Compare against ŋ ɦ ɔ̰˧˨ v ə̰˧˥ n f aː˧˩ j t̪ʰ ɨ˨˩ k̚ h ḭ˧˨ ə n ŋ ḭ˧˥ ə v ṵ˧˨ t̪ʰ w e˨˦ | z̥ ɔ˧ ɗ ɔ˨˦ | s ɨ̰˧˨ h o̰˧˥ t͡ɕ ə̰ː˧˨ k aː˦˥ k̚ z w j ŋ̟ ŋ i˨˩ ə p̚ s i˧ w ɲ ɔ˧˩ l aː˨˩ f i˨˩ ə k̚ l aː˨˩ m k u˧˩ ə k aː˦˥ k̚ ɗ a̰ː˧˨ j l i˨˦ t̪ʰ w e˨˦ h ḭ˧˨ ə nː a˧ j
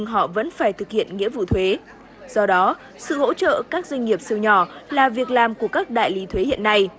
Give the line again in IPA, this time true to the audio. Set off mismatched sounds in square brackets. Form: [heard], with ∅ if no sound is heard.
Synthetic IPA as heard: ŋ ɦ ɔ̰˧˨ v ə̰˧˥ n f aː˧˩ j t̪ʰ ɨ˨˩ k̚ h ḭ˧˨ ə n ŋ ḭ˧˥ ə v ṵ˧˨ t̪ʰ w e˨˦ | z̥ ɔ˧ ɗ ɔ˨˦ | s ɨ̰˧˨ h o̰˧˥ t͡ɕ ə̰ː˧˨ k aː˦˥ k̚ z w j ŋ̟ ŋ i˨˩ ə p̚ s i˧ w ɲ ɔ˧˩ l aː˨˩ [v] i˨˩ ə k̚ l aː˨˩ m k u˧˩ ə k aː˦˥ k̚ ɗ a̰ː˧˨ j l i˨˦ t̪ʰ w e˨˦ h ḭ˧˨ ə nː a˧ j

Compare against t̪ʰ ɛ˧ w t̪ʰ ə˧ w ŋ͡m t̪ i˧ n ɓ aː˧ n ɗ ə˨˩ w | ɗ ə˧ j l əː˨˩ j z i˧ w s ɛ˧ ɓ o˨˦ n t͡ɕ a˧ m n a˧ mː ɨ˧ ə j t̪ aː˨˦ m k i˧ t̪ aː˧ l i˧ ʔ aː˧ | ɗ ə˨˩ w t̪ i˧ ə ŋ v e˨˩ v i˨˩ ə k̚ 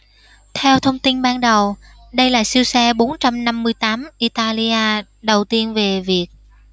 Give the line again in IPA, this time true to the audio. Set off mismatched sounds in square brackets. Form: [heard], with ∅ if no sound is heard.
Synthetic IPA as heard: t̪ʰ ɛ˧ w t̪ʰ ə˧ w ŋ͡m t̪ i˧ n ɓ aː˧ n ɗ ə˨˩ w | ɗ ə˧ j l [aː˨˩] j [s] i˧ w s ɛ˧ ɓ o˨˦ n t͡ɕ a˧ m n a˧ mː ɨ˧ ə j t̪ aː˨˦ m [ʔ] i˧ t̪ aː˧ l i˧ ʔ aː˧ | ɗ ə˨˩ w t̪ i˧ ə [n] v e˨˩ v i˨˩ ə k̚

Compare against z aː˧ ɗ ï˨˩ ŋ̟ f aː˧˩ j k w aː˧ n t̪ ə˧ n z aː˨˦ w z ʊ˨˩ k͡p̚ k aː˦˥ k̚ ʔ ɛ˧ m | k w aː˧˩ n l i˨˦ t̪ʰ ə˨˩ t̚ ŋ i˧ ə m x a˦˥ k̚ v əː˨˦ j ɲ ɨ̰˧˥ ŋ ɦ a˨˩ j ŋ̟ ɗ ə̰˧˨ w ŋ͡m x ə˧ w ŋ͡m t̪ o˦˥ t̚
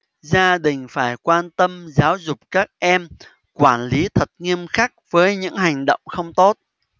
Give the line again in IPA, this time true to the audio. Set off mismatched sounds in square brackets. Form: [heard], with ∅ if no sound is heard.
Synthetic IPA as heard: z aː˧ ɗ ï˨˩ ŋ̟ f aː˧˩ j k w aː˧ n t̪ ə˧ [m] z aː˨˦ w z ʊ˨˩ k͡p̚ k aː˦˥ k̚ ʔ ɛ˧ m | k w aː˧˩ n l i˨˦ t̪ʰ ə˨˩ t̚ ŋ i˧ ə m x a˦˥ k̚ v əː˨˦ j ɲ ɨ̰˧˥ ŋ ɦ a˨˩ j ŋ̟ ɗ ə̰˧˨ w ŋ͡m x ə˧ w ŋ͡m t̪ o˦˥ t̚

